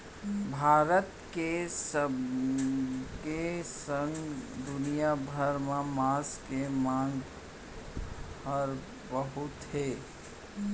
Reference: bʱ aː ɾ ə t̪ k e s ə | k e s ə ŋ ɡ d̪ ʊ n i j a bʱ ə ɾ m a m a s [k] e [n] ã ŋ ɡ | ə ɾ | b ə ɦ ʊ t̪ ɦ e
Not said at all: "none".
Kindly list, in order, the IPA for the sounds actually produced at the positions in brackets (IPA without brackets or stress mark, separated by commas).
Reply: k, m